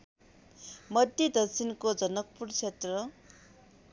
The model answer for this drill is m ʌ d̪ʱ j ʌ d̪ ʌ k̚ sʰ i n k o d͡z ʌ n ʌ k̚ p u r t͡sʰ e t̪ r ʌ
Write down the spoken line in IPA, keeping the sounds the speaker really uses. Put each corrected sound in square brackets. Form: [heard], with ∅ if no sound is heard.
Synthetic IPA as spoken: m ʌ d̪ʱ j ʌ d̪ ʌ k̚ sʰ i n k o d͡z ʌ n ʌ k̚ p u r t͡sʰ e t̪ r ʌ

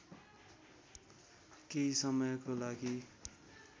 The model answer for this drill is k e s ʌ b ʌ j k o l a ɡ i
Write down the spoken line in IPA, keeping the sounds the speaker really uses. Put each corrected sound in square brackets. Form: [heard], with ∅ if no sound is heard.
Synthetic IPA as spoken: k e s ʌ [m] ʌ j k o l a ɡ i

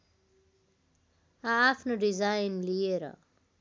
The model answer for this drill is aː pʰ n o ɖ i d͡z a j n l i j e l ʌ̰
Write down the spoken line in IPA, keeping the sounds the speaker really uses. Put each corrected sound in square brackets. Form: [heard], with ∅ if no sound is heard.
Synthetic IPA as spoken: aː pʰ n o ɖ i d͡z a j n l i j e [ɾ] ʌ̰

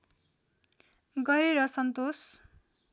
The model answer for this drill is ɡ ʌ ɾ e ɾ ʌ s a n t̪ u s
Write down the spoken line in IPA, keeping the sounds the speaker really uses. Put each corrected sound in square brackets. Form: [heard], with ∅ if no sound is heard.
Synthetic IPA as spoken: ɡ ʌ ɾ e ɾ ʌ s [ʌ] n t̪ [o] s

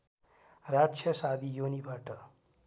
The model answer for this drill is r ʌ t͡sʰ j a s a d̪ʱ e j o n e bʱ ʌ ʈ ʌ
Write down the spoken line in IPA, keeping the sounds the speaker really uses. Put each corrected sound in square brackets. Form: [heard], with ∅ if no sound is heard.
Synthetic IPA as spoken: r [a] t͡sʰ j [ʌ] s a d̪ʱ [i] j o n [i] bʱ [a] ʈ ʌ

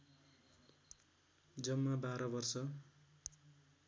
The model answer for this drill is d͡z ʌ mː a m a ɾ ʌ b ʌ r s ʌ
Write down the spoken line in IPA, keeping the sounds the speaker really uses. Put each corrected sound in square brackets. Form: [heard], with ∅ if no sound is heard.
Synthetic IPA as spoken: d͡z ʌ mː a [b] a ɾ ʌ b ʌ r s ʌ

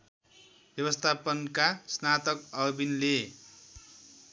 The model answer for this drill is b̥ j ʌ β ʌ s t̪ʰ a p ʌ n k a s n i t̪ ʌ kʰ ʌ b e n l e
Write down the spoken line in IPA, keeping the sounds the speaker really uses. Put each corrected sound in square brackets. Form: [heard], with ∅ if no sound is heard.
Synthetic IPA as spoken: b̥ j ʌ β ʌ s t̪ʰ a p ʌ n k a s n [a] t̪ ʌ [k] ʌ b [i] n l e

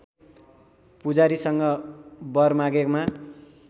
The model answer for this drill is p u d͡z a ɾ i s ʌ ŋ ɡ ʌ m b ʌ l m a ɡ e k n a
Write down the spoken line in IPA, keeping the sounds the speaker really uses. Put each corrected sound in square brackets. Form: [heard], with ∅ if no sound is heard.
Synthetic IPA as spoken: p u d͡z a ɾ i s ʌ ŋ ɡ ʌ [∅] b ʌ [r] m a ɡ e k [m] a

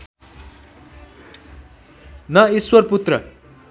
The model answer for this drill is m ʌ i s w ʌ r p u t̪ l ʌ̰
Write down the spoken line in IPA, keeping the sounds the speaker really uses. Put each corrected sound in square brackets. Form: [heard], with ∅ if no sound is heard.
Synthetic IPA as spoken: [n] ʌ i s w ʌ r p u t̪ [r] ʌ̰

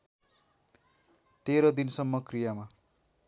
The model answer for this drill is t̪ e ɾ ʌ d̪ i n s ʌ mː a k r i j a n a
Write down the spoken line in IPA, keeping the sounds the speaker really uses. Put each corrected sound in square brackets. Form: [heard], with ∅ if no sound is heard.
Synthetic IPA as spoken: t̪ e ɾ ʌ d̪ i n s ʌ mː [ʌ] k r i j a [m] a

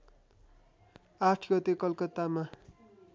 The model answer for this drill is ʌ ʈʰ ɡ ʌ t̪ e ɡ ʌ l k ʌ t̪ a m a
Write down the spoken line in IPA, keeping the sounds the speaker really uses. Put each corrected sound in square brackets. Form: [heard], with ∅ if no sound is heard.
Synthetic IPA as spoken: [a] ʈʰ ɡ ʌ t̪ e [k] ʌ l k ʌ t̪ a m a

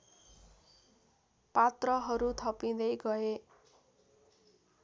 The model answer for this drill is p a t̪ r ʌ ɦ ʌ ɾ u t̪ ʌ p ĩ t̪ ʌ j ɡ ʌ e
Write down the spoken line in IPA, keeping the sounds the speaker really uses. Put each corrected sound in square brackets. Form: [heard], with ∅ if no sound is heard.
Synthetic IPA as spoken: p a t̪ r ʌ ɦ ʌ ɾ u [t̪ʰ] ʌ p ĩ [d̪] ʌ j ɡ ʌ e

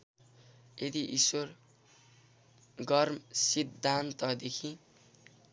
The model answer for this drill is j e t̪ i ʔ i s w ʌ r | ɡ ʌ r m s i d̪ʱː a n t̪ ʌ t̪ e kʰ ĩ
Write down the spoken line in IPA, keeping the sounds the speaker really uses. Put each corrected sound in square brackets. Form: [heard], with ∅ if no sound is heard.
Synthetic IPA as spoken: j e [d̪] i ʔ i s w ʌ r | ɡ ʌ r m s i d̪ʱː a n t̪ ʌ [d̪] e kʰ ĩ

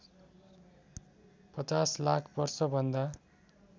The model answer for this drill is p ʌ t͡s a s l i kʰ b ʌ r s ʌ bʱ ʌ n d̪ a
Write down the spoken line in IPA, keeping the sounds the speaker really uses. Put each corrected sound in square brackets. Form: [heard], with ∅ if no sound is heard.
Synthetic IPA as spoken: p ʌ t͡s a s l [a] kʰ b ʌ r s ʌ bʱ ʌ n d̪ a

